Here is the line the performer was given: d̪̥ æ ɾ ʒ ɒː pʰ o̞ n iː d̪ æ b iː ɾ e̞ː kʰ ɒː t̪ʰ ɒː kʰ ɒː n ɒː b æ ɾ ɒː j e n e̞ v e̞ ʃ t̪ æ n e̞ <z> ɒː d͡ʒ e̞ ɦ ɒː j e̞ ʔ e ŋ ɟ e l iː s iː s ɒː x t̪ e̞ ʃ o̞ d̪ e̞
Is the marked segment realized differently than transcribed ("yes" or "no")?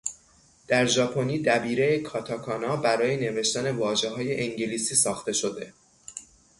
yes